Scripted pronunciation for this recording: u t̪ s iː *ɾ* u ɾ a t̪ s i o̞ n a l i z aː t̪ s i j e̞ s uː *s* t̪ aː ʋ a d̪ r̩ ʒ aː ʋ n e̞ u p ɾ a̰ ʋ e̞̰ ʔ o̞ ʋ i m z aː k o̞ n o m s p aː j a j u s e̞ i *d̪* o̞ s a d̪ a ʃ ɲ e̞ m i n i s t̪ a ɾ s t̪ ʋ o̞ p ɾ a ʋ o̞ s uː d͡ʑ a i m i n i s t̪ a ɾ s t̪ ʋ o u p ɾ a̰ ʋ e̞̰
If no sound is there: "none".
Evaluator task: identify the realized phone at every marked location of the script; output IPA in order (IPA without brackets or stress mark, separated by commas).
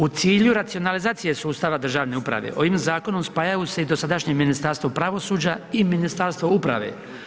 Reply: ʎ, s, d̪